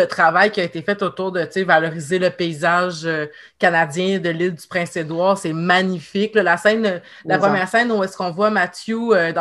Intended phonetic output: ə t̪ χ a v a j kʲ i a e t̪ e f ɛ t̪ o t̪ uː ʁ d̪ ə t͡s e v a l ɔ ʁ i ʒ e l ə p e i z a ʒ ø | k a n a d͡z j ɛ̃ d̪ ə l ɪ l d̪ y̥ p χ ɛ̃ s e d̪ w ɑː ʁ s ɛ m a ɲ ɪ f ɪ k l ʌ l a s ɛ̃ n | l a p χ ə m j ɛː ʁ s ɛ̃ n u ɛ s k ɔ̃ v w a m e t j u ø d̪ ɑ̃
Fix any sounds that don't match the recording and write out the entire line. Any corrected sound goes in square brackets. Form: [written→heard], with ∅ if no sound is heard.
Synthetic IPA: ə t̪ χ a v a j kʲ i a e t̪ e f ɛ t̪ o t̪ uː ʁ d̪ ə t͡s e v a l ɔ ʁ i [ʒ→z] e l ə p e i z a ʒ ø | k a n a d͡z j ɛ̃ d̪ ə l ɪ l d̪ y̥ p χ ɛ̃ s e d̪ w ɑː ʁ s ɛ m a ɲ [ɪ→i] f ɪ k l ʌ l a s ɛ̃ n | l a p χ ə m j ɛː ʁ s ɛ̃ n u ɛ s k ɔ̃ v w a m [e→a] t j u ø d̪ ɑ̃